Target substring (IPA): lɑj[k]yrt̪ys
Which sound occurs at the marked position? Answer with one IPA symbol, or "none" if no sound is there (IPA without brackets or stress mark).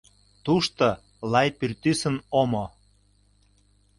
p